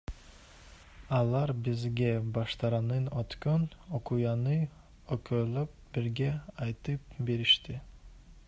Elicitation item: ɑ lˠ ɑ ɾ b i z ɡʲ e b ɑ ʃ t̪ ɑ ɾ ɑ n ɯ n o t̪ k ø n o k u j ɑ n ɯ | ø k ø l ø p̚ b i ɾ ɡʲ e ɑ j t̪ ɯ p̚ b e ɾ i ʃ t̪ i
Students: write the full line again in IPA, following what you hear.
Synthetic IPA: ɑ lˠ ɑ ɾ b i z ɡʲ e b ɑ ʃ t̪ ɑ ɾ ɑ n ɯ n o t̪ k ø n o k u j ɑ n ɯ | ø k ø l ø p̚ b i ɾ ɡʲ e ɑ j t̪ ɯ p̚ b e ɾ i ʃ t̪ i